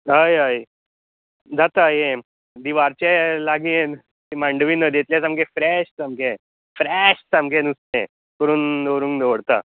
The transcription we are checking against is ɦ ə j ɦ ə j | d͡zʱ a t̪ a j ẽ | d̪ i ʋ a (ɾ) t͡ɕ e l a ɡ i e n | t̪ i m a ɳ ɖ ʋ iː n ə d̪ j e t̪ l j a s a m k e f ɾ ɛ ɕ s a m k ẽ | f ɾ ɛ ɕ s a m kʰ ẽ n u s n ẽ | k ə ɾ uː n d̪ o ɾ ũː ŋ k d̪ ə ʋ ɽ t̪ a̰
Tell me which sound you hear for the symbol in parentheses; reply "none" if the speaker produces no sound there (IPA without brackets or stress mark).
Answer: ɾ